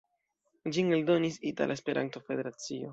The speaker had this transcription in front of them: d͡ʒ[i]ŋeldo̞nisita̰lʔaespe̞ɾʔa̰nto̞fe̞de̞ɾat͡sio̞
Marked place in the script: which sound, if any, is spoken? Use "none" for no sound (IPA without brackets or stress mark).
i